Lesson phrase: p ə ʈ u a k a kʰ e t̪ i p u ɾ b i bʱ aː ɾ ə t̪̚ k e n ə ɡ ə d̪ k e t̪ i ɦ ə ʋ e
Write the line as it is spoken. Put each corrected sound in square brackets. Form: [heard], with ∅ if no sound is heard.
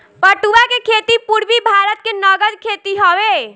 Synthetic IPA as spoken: p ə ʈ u a k [e] kʰ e t̪ i p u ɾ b i bʱ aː ɾ ə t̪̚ k e n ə ɡ ə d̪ [kʰ] e t̪ i ɦ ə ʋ e